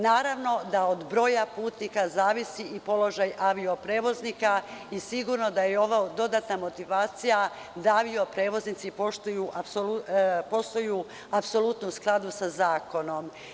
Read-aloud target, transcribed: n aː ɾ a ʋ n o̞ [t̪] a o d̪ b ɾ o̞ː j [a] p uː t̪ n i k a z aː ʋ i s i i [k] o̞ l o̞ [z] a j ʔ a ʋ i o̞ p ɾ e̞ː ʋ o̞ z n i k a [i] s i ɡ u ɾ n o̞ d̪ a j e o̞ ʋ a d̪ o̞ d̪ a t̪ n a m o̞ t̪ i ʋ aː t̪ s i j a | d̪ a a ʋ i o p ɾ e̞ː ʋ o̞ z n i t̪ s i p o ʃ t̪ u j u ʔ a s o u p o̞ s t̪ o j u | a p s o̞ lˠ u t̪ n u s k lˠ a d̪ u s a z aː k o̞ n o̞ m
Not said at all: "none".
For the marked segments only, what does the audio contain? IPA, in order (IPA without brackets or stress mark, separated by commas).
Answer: d̪, a, p, ʒ, i